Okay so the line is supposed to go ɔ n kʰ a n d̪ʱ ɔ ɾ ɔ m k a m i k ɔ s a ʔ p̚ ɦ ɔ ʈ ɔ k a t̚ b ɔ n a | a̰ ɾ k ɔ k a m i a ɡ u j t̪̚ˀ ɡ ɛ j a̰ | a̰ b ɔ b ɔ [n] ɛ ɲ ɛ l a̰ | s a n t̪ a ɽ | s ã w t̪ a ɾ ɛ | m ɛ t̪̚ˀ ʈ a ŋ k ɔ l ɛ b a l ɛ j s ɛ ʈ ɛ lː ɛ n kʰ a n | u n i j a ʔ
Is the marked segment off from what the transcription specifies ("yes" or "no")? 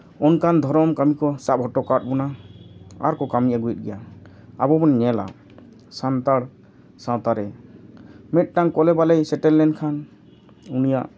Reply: no